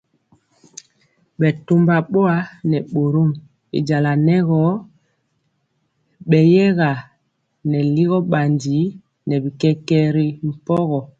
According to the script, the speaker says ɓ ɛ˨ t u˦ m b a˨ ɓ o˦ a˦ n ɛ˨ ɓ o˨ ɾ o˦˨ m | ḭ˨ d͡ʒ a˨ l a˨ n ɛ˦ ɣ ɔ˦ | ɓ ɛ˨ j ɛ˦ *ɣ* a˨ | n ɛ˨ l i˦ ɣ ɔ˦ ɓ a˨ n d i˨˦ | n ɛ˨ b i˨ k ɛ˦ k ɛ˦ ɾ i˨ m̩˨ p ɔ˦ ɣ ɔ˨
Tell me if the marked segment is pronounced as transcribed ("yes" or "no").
yes